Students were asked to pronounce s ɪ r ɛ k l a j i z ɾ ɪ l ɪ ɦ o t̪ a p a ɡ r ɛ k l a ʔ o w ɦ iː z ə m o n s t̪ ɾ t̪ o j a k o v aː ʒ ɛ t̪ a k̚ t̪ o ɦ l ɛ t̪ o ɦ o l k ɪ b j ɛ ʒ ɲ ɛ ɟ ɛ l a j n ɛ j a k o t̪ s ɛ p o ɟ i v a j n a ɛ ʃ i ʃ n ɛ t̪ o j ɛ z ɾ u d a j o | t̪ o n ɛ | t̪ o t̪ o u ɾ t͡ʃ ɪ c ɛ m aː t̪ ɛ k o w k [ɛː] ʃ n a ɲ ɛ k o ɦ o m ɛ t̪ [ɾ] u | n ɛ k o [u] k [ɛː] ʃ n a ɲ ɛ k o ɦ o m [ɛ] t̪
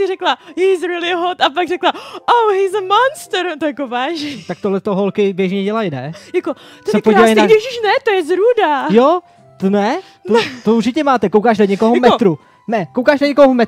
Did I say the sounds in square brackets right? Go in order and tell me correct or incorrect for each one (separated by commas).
incorrect, correct, incorrect, incorrect, correct